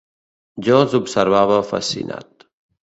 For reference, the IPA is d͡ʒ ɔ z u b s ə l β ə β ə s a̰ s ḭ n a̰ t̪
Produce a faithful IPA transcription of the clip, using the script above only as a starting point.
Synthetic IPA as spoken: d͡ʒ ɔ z u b s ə ɾ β a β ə f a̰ s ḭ n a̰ t̪